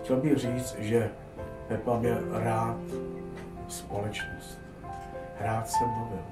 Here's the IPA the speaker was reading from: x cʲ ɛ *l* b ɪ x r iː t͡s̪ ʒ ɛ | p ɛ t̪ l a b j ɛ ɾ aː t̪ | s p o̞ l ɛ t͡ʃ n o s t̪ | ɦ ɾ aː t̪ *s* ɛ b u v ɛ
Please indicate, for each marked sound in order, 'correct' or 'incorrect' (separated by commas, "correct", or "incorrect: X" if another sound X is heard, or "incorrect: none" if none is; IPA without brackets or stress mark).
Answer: correct, correct